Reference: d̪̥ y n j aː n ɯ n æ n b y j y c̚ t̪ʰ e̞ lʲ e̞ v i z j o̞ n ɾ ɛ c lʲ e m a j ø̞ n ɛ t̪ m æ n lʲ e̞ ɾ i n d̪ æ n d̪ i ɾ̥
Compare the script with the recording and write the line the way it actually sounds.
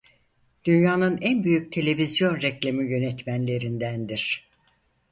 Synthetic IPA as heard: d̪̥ y n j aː n ɯ n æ n b y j y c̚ t̪ʰ e̞ lʲ e̞ v i z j o̞ n ɾ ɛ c lʲ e m i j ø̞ n ɛ t̪ m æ n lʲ e̞ ɾ i n d̪ æ n d̪ i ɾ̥